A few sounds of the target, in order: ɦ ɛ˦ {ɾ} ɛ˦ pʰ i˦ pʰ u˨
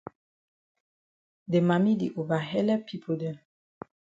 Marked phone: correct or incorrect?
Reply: incorrect: l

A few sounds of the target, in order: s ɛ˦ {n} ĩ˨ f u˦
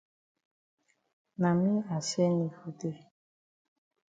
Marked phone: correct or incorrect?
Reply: correct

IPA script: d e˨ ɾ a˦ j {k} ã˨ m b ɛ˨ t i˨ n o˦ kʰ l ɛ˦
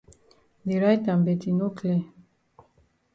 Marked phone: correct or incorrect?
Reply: incorrect: t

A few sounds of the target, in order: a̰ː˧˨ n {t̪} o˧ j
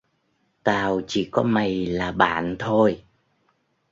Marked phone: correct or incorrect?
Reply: incorrect: t̪ʰ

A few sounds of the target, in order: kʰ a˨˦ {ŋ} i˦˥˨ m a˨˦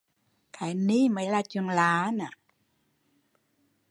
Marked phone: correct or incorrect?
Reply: incorrect: n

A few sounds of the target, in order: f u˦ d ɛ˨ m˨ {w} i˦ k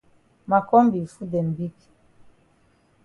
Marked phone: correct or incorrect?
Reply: incorrect: b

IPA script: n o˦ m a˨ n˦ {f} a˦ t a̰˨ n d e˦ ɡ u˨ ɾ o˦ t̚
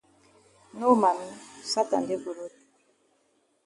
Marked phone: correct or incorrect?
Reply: incorrect: s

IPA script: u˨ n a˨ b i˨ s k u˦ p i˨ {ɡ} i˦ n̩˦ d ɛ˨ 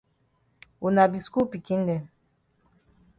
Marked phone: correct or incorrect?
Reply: incorrect: k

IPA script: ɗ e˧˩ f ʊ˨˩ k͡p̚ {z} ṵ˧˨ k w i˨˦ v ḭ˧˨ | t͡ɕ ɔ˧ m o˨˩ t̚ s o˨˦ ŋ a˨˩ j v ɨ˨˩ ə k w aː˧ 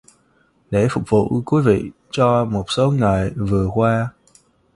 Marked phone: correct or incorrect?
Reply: incorrect: v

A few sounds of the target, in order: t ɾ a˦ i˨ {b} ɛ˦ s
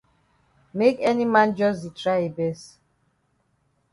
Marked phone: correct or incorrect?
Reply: correct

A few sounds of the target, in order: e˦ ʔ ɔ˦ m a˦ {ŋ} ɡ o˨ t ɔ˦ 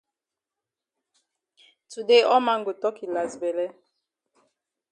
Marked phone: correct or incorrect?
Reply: correct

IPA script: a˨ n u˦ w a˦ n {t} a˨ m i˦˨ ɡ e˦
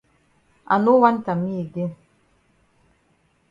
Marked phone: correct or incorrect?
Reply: correct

